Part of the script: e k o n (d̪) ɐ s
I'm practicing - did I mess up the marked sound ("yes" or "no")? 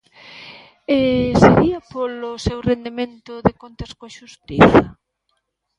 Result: yes